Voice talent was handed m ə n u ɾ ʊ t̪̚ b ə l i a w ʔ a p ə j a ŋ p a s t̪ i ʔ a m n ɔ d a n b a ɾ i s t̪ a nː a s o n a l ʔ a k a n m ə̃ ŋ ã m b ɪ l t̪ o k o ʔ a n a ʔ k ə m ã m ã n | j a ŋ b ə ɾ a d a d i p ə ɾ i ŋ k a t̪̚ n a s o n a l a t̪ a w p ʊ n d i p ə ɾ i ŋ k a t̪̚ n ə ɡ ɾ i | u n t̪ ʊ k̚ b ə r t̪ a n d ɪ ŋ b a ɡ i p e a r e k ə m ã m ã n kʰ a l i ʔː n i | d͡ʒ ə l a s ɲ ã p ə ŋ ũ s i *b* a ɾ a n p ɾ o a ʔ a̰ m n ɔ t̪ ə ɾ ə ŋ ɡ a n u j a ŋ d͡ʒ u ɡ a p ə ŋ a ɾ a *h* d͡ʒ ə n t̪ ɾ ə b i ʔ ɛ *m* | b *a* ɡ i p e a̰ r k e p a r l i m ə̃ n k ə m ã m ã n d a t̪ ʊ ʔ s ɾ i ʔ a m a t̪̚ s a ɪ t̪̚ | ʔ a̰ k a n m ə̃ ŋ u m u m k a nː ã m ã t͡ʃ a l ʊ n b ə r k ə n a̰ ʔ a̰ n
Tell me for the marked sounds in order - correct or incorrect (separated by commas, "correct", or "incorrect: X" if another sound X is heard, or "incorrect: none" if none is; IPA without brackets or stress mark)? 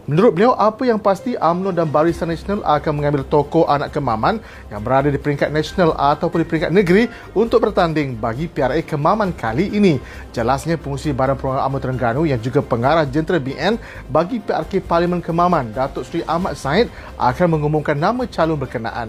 correct, correct, incorrect: n, correct